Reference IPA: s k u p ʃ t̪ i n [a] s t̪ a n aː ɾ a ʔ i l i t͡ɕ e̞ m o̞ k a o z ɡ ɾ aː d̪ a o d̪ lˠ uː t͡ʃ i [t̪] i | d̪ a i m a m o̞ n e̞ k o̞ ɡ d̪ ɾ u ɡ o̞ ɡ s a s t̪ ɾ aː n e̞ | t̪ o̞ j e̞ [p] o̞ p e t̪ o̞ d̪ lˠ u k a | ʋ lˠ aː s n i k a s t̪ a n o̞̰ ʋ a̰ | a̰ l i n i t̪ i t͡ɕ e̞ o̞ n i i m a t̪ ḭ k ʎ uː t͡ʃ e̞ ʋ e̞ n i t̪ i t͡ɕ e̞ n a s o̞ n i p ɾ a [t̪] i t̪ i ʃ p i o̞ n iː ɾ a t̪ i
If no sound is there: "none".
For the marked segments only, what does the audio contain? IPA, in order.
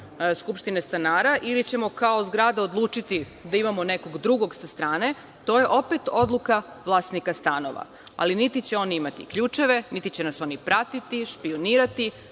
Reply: e, t̪, ʔ, t̪

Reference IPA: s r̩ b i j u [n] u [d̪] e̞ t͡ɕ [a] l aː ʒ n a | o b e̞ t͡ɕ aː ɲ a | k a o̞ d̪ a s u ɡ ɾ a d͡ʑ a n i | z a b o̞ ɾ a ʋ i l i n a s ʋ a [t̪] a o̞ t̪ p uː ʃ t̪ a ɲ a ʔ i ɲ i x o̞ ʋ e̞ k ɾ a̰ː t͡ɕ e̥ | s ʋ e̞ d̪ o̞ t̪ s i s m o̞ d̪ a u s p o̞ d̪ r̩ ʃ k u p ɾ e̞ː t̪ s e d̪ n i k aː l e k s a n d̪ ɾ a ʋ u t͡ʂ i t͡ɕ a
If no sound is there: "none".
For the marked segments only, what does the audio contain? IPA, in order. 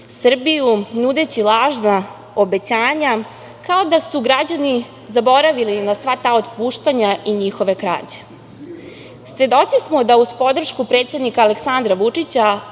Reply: n, d̪, i, t̪

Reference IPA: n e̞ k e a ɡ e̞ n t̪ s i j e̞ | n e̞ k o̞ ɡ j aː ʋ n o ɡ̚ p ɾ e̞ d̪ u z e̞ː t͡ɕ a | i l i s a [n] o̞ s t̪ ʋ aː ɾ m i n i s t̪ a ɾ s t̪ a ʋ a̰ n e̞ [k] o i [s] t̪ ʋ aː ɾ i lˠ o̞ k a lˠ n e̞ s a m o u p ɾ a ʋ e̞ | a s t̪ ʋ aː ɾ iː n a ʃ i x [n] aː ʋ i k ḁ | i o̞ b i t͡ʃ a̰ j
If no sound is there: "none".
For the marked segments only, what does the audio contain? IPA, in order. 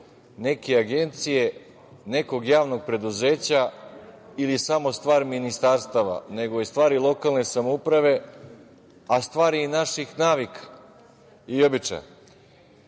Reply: m, ɡ, s, n

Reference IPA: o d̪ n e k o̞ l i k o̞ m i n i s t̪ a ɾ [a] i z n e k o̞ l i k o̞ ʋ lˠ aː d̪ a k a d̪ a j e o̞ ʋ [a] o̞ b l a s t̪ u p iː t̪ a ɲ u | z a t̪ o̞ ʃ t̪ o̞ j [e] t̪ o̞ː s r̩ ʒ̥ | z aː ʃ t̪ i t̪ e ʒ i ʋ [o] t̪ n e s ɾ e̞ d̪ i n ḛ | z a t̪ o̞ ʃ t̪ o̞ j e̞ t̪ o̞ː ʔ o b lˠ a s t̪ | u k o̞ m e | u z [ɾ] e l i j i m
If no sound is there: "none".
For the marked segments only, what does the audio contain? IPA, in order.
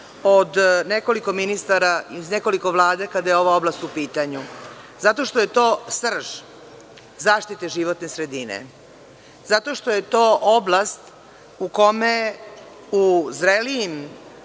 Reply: a, a, e, o, ɾ

